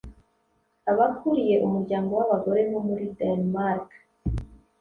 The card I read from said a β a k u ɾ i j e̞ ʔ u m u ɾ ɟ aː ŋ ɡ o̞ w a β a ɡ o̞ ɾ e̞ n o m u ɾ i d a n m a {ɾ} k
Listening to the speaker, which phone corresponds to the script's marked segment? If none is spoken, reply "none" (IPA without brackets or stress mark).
ɾ